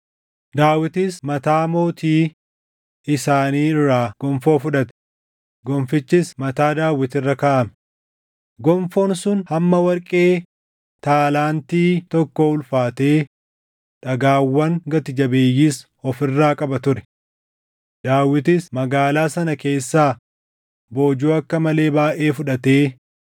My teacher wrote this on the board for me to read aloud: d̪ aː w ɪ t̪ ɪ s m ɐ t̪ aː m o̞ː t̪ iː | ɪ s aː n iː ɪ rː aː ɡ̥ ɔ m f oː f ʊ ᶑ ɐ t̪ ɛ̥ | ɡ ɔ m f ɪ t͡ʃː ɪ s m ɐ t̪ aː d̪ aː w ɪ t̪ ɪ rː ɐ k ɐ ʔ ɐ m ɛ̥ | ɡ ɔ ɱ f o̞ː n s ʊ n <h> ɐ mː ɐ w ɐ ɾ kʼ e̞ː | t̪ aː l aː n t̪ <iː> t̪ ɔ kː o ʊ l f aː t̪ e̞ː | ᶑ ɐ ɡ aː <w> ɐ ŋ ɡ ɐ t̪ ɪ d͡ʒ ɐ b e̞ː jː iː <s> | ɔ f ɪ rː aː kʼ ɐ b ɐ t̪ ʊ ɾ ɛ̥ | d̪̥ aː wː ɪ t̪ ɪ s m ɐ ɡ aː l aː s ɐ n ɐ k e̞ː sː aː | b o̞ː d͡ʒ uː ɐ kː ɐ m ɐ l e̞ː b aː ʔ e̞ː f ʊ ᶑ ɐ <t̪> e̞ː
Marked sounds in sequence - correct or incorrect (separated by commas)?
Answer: correct, correct, incorrect, correct, correct